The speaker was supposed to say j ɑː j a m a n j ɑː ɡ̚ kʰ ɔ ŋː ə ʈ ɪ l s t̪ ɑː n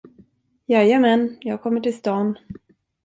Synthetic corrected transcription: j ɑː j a m ɛ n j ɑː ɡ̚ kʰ ɔ mː ə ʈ ɪ l s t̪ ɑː n